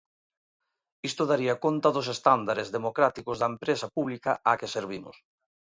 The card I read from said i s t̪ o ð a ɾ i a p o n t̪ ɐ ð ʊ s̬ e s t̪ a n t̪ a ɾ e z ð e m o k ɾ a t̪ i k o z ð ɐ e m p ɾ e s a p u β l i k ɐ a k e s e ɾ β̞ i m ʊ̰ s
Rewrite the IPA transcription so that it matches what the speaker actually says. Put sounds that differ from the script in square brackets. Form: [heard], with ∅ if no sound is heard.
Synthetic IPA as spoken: i s t̪ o ð a ɾ i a [k] o n t̪ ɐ ð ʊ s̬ e s t̪ a n [d̪] a ɾ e z ð e m o k ɾ a t̪ i k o z ð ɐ e m p ɾ e s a p u β l i k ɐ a k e s e ɾ β̞ i m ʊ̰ s